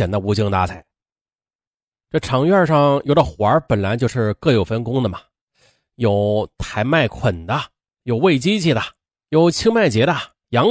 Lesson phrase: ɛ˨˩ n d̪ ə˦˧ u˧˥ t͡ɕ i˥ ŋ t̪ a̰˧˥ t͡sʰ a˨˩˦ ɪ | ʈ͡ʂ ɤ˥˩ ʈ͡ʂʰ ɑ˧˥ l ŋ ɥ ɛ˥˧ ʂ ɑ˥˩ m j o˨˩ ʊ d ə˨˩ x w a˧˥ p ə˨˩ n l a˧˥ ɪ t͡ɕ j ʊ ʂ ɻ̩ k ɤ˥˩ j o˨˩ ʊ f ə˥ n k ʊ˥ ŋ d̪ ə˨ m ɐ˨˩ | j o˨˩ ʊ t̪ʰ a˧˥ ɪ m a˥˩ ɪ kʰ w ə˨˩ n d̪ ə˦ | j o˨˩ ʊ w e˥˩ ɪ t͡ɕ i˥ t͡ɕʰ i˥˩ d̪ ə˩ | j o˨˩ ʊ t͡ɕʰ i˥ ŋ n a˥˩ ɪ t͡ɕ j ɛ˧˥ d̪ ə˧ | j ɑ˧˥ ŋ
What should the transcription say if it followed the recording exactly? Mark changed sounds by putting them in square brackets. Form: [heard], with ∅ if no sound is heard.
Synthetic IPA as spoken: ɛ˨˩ n d̪ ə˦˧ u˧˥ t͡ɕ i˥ ŋ t̪ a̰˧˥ t͡sʰ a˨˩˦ ɪ | ʈ͡ʂ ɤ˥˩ ʈ͡ʂʰ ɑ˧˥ [∅] ŋ ɥ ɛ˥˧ ʂ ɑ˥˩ [ŋ] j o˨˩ ʊ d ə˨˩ x w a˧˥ p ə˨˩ n l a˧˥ ɪ t͡ɕ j ʊ ʂ ɻ̩ k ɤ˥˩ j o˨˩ ʊ f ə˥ n k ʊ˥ ŋ d̪ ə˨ m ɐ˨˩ | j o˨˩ ʊ t̪ʰ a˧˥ ɪ m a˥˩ ɪ kʰ w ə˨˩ n d̪ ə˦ | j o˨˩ ʊ w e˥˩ ɪ t͡ɕ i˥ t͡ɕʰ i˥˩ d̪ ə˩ | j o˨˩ ʊ t͡ɕʰ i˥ ŋ [m] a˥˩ ɪ t͡ɕ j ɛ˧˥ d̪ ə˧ | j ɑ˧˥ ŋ